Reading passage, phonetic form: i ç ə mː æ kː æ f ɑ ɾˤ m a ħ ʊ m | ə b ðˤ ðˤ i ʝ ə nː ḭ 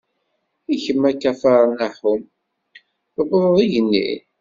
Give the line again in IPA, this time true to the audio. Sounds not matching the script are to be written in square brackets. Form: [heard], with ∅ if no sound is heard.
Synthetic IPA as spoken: i ç ə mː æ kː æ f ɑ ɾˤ [n] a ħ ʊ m | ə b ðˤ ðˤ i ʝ ə nː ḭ